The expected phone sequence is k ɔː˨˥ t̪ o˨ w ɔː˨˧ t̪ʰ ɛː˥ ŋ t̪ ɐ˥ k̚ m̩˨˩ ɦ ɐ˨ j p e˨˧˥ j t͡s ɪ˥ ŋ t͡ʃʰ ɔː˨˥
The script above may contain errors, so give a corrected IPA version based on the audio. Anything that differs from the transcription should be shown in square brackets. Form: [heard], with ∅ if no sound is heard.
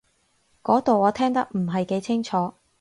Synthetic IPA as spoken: k ɔː˨˥ t̪ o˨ w ɔː˨˧ t̪ʰ ɛː˥ ŋ t̪ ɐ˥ k̚ m̩˨˩ ɦ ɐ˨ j [k] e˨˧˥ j [t͡sʰ] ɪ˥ ŋ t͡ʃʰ ɔː˨˥